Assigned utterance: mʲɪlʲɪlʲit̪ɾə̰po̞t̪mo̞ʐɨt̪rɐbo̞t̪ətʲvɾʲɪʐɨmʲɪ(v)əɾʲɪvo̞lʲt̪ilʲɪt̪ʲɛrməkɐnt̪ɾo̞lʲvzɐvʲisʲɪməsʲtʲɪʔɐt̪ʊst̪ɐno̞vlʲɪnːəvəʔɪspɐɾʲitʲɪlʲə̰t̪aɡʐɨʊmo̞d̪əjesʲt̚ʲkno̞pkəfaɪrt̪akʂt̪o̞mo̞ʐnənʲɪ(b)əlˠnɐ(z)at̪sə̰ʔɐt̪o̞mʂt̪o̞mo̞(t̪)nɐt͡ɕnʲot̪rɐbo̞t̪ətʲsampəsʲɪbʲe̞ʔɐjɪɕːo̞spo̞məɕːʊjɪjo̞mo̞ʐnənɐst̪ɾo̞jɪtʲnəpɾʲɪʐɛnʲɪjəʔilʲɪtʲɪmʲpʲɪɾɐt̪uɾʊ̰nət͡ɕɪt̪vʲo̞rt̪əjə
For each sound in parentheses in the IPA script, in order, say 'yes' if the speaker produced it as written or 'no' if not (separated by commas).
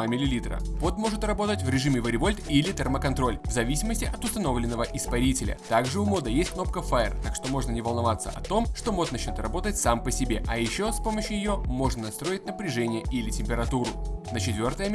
yes, no, no, yes